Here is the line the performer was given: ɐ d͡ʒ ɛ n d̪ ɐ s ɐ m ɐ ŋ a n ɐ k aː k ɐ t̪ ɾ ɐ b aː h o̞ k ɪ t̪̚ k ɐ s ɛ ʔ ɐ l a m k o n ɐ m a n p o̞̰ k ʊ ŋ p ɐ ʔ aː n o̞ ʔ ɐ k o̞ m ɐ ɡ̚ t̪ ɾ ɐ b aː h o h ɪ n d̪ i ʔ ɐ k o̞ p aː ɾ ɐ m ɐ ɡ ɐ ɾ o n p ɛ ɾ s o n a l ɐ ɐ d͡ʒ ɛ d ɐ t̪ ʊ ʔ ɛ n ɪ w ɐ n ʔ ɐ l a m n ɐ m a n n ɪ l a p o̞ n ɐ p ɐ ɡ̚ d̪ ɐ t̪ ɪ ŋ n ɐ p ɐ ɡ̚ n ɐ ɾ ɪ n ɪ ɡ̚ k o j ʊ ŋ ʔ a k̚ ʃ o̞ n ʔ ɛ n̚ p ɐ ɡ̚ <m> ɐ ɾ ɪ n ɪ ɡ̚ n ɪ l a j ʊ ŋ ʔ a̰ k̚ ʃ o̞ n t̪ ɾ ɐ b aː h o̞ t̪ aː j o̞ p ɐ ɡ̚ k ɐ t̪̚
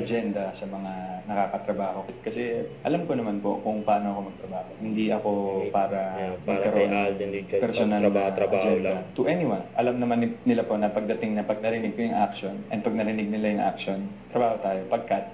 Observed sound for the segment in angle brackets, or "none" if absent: n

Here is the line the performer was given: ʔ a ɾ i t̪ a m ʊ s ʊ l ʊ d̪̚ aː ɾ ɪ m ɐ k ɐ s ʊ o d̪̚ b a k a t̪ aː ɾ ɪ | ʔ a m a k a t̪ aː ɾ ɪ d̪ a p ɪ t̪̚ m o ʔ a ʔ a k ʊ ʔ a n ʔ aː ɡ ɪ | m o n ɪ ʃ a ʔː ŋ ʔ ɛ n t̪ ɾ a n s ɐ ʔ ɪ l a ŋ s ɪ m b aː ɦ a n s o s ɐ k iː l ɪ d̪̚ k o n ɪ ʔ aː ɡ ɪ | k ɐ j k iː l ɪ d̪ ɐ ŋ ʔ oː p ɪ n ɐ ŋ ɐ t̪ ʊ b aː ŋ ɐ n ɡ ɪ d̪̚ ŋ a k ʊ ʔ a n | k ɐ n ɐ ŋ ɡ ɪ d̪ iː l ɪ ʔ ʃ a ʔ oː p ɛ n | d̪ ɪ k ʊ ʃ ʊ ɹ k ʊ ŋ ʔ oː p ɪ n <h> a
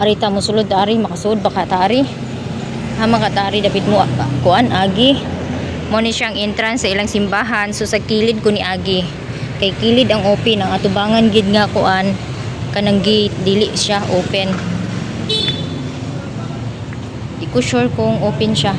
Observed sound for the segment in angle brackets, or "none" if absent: ʃ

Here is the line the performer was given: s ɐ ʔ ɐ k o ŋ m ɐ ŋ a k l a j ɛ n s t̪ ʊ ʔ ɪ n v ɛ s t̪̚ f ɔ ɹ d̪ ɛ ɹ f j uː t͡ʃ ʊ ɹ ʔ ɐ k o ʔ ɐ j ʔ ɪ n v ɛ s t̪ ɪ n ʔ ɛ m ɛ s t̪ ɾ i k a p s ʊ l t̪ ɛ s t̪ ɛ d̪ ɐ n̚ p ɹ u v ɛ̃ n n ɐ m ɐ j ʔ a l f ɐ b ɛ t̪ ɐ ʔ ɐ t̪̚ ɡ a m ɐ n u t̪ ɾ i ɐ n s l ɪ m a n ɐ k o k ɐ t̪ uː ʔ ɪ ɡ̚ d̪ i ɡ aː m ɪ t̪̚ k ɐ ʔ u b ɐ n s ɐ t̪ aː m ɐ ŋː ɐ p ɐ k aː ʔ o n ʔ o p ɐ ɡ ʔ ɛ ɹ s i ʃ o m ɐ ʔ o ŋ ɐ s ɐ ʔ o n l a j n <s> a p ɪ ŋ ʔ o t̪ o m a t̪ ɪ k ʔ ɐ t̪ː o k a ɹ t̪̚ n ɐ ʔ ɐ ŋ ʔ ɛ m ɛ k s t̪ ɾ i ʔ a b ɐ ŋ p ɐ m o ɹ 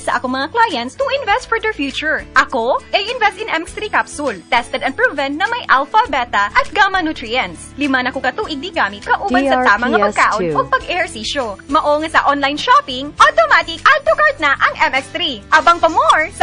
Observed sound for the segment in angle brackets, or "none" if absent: ʃ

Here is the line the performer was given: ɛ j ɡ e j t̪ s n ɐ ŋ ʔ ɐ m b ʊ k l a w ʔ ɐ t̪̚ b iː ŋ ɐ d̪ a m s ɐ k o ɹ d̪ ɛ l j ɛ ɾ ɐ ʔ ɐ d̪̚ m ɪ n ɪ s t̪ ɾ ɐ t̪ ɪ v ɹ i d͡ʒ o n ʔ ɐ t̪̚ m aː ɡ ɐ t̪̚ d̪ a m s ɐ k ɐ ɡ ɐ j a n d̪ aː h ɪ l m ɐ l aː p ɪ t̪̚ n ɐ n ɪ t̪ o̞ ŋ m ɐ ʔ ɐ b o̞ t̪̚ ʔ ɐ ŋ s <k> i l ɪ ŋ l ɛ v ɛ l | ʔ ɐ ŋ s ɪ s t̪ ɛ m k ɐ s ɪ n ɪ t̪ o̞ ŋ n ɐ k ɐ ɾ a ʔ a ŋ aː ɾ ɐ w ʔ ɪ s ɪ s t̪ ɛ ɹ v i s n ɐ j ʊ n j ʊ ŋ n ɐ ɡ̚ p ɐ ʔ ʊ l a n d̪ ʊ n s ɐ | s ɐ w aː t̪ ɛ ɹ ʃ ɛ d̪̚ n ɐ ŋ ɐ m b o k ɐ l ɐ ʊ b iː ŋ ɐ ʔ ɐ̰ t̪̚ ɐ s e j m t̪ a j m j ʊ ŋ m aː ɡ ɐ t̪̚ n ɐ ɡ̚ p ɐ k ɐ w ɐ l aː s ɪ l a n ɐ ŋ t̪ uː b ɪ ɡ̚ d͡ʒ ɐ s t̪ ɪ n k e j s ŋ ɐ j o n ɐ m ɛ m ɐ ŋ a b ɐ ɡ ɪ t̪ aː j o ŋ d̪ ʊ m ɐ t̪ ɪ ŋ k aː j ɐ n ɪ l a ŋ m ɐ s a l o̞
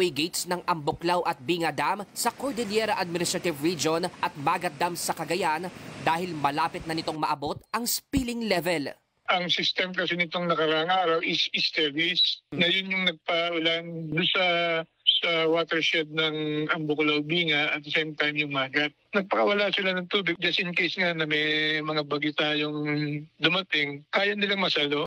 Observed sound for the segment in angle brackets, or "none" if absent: p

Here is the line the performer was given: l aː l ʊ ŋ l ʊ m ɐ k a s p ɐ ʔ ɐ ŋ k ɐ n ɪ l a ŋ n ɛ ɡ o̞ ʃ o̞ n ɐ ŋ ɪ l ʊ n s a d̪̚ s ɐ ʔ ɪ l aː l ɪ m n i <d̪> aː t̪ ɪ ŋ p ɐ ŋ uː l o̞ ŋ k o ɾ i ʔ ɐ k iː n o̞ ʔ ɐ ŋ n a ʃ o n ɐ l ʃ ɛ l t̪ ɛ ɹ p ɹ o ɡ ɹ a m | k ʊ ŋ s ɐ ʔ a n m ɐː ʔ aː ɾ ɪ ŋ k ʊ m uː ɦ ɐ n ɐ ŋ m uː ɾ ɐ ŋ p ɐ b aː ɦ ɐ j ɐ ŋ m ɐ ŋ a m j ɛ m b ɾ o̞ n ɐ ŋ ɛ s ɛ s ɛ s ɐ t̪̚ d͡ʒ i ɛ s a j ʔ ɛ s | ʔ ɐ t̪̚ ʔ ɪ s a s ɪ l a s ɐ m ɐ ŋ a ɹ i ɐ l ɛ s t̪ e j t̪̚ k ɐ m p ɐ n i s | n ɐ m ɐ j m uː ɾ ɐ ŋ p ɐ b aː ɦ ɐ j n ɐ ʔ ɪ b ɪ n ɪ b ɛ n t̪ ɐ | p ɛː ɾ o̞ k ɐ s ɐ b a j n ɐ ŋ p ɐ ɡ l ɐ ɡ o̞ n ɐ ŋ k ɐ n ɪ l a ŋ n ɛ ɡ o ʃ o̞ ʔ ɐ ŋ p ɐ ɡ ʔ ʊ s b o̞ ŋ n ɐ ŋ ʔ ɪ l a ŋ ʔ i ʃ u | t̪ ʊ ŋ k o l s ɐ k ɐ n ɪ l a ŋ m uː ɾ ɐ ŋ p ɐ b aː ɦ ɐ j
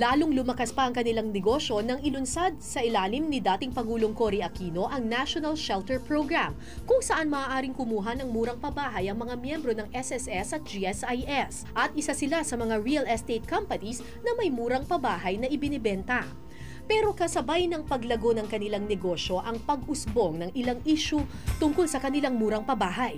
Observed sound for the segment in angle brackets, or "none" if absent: d̪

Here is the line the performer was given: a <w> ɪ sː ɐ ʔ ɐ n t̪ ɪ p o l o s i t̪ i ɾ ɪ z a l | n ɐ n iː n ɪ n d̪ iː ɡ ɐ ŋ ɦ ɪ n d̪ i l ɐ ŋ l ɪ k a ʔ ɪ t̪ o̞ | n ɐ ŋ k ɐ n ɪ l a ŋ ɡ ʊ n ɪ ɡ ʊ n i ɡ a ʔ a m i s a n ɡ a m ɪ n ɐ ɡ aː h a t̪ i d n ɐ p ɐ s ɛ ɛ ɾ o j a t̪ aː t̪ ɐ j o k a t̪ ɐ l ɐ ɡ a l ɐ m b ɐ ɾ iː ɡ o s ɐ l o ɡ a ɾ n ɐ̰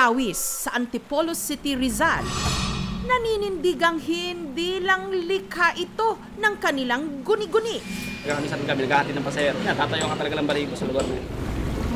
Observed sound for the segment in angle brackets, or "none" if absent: w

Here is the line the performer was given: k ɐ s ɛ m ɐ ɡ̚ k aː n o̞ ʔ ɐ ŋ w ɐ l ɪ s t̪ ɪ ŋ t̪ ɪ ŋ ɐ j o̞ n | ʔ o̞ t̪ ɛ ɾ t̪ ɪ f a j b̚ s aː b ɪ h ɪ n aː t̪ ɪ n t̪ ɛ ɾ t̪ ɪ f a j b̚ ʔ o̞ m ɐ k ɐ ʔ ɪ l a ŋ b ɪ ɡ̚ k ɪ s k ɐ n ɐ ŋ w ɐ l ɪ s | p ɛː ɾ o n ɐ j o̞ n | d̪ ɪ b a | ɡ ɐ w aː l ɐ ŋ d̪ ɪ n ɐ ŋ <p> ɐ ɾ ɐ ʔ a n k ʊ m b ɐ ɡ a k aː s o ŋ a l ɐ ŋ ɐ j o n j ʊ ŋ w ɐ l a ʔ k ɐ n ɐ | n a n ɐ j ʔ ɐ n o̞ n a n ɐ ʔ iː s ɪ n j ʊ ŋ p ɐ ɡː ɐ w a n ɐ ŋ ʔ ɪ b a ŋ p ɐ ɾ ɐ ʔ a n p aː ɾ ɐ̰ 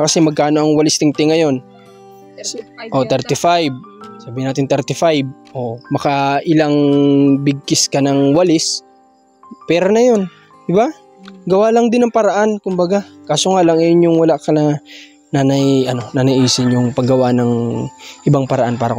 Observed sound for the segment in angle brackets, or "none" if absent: p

